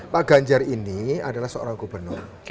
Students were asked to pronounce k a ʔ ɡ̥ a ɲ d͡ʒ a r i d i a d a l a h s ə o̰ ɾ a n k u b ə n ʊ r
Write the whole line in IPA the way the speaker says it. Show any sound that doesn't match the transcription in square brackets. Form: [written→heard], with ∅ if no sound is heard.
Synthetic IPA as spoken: [k→p] a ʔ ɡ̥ a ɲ d͡ʒ a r i [d→n] i a d a l a h s ə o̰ ɾ a [n→ŋ] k u b ə n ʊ r

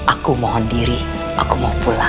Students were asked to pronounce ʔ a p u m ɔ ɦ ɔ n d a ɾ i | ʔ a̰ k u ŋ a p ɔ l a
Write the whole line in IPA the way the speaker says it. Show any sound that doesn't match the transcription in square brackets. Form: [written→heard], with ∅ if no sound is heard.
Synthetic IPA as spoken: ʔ a [p→k] u m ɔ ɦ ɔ n d [a→i] ɾ i | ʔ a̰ k u [ŋ→m] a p [ɔ→u] l a

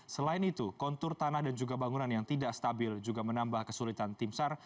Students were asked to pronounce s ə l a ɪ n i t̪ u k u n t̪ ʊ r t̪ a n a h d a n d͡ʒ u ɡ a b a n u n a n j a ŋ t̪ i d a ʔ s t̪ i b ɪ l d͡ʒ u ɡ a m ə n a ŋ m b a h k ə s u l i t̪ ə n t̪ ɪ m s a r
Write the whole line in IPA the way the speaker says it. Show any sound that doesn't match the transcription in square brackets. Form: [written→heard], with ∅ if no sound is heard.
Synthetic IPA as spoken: s ə l a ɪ n i t̪ u k [u→ɔ] n t̪ ʊ r t̪ a n a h d a n d͡ʒ u ɡ a b a [n→ŋ] u n a n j a ŋ t̪ i d a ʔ s t̪ [i→a] b ɪ l d͡ʒ u ɡ a m ə n a [ŋ→∅] m b a h k ə s u l i t̪ [ə→a] n t̪ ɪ m s a r

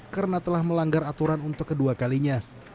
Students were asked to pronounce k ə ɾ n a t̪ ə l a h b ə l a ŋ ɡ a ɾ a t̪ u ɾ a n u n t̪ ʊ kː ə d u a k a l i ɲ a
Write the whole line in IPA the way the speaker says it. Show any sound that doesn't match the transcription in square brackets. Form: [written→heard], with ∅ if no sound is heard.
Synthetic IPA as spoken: k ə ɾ n a t̪ ə l a h [b→m] ə l a ŋ ɡ a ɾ a t̪ u ɾ a n u n t̪ ʊ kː ə d u a k a l i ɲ a

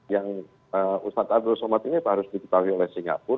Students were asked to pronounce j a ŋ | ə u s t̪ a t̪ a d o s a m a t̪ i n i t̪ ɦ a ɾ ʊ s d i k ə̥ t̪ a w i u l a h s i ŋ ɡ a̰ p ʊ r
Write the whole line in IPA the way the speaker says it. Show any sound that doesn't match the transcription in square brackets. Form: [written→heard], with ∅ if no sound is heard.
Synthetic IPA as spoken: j a ŋ | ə u s t̪ a t̪ a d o s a m a t̪ i n i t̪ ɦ a ɾ ʊ s d i k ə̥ t̪ a w i [u→o] l [a→ɛ] h s i ŋ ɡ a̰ p ʊ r

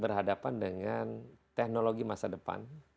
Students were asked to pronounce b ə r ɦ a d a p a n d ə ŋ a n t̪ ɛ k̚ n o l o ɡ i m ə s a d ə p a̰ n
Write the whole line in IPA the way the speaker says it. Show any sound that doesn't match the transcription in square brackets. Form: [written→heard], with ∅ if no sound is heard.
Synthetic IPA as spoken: b ə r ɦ a d a p a n d ə ŋ a n t̪ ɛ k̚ n o l o ɡ i m [ə→a] s a d ə p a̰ n

